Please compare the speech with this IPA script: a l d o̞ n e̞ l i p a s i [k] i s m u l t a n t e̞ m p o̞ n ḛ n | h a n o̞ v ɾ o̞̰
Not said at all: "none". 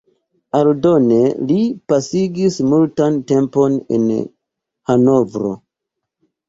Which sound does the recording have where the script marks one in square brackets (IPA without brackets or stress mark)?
ɡ